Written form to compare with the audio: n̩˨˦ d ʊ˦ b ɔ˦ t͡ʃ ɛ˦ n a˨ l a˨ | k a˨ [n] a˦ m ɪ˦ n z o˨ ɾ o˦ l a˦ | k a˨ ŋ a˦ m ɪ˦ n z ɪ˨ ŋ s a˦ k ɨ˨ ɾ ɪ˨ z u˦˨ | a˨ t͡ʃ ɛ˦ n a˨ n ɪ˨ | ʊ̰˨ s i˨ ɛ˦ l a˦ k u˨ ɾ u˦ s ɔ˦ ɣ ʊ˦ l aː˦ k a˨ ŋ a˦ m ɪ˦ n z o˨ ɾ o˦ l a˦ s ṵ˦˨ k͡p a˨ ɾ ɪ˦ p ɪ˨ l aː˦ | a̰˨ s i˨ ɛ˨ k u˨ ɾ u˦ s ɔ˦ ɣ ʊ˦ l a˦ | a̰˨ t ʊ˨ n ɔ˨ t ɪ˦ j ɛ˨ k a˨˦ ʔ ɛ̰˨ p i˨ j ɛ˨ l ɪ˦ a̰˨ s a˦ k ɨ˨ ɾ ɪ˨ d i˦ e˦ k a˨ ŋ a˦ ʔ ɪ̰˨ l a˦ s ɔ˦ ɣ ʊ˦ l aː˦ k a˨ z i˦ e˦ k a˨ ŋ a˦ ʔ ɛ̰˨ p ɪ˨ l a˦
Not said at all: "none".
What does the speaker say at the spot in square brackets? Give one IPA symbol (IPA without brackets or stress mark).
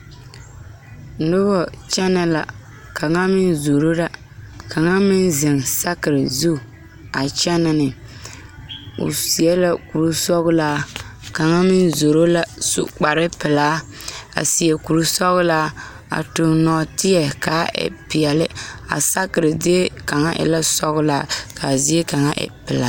ŋ